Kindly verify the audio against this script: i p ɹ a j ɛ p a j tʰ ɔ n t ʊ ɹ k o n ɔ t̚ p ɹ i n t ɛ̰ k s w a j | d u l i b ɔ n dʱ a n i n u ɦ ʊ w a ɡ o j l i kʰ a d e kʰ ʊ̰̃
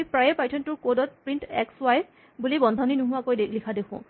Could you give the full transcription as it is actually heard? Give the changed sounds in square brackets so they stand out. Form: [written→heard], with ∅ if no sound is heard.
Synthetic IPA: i p ɹ a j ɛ p a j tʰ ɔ n t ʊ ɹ k o [n→d] ɔ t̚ p ɹ i n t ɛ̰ k s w a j | [d→b] u l i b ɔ n dʱ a n i n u ɦ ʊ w a [ɡ→k] o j l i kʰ a d e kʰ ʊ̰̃